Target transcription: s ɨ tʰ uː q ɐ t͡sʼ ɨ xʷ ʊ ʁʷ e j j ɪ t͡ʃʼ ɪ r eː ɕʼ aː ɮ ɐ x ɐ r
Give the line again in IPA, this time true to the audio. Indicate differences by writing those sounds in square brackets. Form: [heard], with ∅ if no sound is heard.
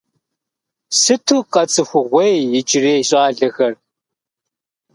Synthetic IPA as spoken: s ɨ tʰ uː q ɐ t͡sʼ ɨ xʷ ʊ ʁʷ e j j ɪ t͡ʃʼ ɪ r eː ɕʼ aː ɮ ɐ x ɐ r